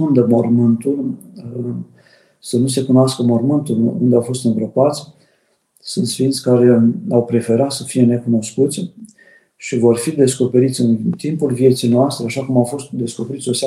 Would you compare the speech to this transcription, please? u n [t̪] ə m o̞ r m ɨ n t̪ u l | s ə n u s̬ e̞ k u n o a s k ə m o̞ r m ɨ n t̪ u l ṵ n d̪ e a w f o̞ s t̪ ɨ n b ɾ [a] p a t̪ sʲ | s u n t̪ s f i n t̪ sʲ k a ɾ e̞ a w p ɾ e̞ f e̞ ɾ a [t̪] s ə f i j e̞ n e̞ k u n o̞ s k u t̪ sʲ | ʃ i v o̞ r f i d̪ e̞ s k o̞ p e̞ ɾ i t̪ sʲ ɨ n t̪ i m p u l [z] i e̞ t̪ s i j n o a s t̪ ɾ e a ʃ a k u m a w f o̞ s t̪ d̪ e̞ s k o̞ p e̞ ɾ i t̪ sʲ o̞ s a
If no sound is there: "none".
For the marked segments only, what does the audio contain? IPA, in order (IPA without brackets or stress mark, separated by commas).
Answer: d̪, ə, t̪, v